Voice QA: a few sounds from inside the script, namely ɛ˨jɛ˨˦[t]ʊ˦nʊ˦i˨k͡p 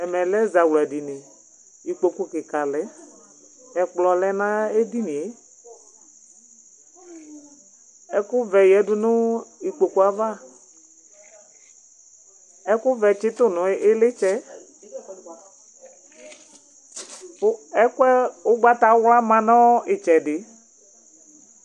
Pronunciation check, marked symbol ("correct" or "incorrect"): incorrect